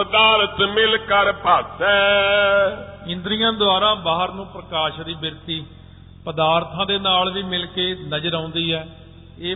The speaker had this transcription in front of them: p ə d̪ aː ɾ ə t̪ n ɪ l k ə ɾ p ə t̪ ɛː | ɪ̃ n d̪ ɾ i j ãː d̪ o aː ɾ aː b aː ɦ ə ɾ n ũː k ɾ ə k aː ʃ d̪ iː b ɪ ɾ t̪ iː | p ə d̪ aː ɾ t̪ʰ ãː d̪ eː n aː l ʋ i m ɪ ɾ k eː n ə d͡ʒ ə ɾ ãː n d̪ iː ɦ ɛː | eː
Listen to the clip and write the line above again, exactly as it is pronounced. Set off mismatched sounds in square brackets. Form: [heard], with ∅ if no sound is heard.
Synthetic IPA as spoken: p ə d̪ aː ɾ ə t̪ [m] ɪ l k ə ɾ p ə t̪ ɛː | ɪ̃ n d̪ ɾ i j ãː d̪ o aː ɾ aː b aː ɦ ə ɾ n ũː [p] ɾ ə k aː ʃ d̪ iː b ɪ ɾ t̪ iː | p ə d̪ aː ɾ t̪ʰ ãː d̪ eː n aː l ʋ [iː] m ɪ [l] k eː n ə d͡ʒ ə ɾ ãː n d̪ iː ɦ ɛː | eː